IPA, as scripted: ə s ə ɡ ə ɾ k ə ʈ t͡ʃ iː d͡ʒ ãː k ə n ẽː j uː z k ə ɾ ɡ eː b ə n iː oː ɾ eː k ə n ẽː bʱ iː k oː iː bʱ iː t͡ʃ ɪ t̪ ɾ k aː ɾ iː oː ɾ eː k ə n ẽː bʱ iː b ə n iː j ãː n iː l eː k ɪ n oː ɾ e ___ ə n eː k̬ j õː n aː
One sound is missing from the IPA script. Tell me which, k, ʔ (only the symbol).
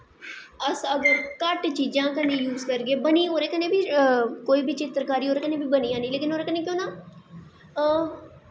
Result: k